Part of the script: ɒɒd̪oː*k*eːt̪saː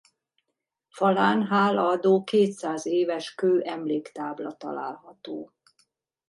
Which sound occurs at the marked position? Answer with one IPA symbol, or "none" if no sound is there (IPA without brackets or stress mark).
k